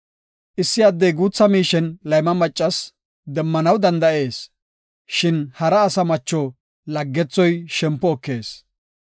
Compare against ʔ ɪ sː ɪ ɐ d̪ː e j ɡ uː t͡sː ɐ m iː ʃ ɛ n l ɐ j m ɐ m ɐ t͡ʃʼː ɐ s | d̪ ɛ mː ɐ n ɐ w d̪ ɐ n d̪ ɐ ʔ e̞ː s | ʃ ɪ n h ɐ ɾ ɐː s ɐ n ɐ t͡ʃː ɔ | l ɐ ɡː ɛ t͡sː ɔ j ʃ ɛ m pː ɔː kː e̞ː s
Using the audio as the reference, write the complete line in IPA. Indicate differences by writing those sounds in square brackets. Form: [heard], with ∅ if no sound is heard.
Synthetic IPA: ʔ ɪ sː ɪ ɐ d̪ː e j ɡ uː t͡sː ɐ m iː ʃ ɛ n l ɐ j m ɐ m ɐ t͡ʃʼː ɐ s | d̪ ɛ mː ɐ n ɐ w d̪ ɐ n d̪ ɐ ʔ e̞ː s | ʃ ɪ n h ɐ ɾ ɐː s ɐ [m] ɐ t͡ʃː ɔ | l ɐ ɡː ɛ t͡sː ɔ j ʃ ɛ m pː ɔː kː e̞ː s